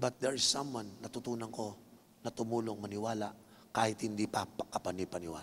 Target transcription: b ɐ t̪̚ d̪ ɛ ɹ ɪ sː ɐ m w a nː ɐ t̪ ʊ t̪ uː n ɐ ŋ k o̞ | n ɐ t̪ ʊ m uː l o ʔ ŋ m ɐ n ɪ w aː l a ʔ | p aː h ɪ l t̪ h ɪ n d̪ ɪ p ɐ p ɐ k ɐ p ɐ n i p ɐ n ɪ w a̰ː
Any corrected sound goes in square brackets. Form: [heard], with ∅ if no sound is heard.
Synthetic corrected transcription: b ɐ t̪̚ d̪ ɛ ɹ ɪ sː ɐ m w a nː ɐ t̪ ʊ t̪ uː n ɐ ŋ k o̞ | n ɐ t̪ ʊ m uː l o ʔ ŋ m ɐ n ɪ w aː l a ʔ | [k] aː h ɪ [∅] t̪ h ɪ n d̪ [i] p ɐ p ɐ k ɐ p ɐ n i p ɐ n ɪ w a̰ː